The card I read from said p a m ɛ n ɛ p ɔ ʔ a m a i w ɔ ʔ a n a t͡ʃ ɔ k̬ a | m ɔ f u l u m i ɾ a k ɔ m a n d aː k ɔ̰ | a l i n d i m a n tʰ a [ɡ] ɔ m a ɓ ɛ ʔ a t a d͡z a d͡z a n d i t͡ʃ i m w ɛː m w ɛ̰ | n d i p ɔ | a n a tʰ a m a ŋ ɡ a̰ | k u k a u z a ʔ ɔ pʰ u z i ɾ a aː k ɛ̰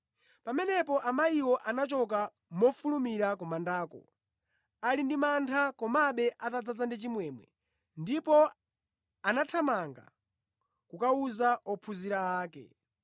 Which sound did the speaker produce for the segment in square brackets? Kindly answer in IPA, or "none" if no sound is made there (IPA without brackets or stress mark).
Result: k